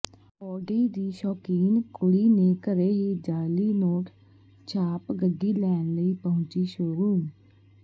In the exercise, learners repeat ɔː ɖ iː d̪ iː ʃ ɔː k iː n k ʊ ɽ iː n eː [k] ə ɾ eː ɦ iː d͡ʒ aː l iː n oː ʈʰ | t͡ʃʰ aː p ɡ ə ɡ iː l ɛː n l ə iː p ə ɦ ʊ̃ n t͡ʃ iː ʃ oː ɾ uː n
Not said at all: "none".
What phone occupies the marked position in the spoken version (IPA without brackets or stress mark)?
k